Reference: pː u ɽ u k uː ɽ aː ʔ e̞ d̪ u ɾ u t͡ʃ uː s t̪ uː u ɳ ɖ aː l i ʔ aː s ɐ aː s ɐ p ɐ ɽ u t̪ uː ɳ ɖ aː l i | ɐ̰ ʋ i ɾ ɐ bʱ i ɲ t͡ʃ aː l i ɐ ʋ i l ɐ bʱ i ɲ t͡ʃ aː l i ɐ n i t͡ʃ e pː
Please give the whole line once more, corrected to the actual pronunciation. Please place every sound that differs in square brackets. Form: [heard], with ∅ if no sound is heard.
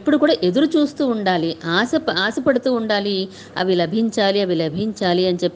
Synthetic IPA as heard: pː u ɽ u k uː ɽ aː ʔ e̞ d̪ u ɾ u t͡ʃ uː s t̪ uː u ɳ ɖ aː l i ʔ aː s ɐ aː s ɐ p ɐ ɽ u t̪ uː ɳ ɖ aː l i | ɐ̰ ʋ i [l] ɐ bʱ i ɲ t͡ʃ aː l i ɐ ʋ i l ɐ bʱ i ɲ t͡ʃ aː l i ɐ n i t͡ʃ e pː